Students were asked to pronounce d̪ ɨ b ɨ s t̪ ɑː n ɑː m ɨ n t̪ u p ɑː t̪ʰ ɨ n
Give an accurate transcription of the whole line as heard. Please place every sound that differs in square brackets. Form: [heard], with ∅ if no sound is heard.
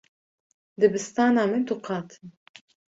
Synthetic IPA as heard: d̪ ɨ b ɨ s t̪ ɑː n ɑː m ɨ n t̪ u [q] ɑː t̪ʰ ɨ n

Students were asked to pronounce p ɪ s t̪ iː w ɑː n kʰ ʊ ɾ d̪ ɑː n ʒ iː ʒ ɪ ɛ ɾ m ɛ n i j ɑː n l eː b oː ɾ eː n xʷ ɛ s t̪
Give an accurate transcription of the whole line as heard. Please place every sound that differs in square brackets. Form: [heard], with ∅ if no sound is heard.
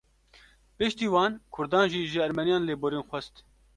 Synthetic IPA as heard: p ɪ [ʃ] t̪ iː w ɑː n kʰ ʊ ɾ d̪ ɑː n ʒ iː ʒ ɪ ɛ ɾ m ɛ n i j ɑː n l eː b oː ɾ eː n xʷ ɛ s t̪

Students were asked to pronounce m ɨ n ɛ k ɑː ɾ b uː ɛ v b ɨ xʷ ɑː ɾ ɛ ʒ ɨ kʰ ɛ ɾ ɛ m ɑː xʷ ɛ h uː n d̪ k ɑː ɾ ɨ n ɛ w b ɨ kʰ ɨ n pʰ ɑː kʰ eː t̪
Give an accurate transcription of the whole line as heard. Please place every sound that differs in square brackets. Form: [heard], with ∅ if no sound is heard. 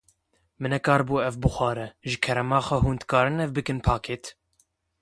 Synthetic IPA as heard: m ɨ n ɛ k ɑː ɾ b uː ɛ v b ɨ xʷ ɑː ɾ ɛ ʒ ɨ kʰ ɛ ɾ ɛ m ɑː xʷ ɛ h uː n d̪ k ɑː ɾ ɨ n ɛ [v] b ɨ [k] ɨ n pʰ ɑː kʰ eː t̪

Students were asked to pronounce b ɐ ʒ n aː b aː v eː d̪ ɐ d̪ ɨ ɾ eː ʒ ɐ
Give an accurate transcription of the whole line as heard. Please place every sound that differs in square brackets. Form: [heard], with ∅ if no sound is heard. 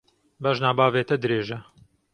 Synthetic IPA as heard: b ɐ ʒ n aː b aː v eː [t̪] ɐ d̪ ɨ ɾ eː ʒ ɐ

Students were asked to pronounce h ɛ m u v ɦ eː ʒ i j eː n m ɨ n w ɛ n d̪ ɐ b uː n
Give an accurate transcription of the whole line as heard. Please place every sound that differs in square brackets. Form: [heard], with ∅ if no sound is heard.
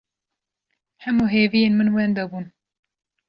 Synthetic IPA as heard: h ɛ m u [∅] ɦ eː [v] i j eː n m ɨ n w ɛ n d̪ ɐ b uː n

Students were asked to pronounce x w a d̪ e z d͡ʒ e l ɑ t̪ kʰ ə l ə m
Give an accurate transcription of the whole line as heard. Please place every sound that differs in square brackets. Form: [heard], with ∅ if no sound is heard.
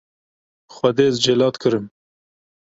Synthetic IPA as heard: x w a d̪ e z d͡ʒ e l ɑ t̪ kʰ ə [ɾ] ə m

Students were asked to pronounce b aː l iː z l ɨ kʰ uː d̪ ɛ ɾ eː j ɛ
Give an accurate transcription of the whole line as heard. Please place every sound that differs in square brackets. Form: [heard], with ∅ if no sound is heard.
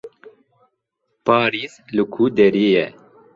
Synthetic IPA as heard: [p] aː [ɾ] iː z l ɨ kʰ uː d̪ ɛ ɾ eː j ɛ

